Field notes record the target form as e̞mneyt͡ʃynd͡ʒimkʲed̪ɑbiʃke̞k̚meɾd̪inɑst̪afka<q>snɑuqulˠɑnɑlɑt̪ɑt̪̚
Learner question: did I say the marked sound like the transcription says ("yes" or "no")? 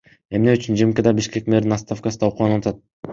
no